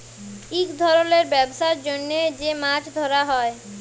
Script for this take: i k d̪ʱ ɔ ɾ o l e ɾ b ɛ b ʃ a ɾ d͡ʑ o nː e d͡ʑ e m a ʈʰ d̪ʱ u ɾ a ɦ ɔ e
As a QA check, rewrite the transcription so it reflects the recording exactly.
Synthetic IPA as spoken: i k d̪ʱ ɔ ɾ o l e ɾ b ɛ b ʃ a ɾ d͡ʑ o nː e d͡ʑ e m a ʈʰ d̪ʱ o ɾ a ɦ ɔ e

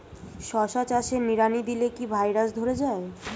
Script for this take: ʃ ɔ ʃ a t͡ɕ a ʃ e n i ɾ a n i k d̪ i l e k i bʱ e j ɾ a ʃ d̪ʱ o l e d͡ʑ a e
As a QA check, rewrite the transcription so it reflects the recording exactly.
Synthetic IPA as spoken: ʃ ɔ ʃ a t͡ɕ a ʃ e n i ɾ a n i d̪ i l e k i bʱ a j ɾ a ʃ d̪ʱ o ɾ e d͡ʑ a e

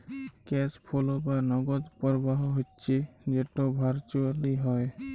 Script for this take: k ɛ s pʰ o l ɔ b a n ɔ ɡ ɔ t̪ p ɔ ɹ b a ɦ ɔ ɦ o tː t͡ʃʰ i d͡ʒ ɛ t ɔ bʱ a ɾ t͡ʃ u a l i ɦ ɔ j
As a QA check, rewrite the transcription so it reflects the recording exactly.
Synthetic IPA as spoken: k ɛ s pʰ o l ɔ b a n ɔ ɡ ɔ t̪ p ɔ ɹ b a ɦ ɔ ɦ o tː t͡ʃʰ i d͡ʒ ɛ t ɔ bʱ a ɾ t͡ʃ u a l i ɦ ɔ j

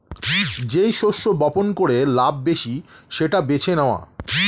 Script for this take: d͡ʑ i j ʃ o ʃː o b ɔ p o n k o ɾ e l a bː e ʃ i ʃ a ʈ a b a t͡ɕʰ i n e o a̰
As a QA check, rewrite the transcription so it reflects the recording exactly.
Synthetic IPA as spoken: d͡ʑ e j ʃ o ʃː o b ɔ p o n k o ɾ e l a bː e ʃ i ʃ e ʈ a b e t͡ɕʰ e n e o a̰

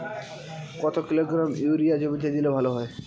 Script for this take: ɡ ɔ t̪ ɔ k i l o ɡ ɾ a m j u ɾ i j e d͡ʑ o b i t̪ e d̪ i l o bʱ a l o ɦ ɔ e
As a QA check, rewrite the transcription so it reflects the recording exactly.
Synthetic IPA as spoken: k ɔ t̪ o k i l o ɡ ɾ a m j u ɾ i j a d͡ʑ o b i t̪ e d̪ i l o bʱ a l o ɦ ɔ e

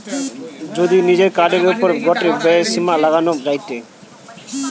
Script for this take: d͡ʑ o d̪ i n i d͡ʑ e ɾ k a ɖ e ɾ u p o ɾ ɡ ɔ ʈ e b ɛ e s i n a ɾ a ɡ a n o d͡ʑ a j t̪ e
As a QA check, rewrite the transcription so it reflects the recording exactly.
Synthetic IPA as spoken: d͡ʑ o d̪ i n i d͡ʑ e ɾ k a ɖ e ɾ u p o ɾ ɡ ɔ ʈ e b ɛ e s i m a l a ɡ a n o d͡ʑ a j t̪ e

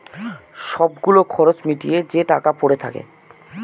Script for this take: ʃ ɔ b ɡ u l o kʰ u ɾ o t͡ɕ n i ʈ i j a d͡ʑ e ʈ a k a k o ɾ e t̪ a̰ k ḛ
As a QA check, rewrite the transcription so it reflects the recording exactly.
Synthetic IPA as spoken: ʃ ɔ b ɡ u l o kʰ ɔ ɾ o t͡ɕ m i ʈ i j e d͡ʑ e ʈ a k a p o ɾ e t̪ʰ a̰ k ḛ

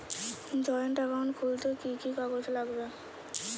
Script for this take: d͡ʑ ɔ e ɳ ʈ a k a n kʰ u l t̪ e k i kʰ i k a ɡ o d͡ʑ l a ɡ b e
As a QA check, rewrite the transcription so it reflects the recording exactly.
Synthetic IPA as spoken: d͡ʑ ɔ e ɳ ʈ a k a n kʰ u l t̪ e k i k i k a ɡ o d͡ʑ l a ɡ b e

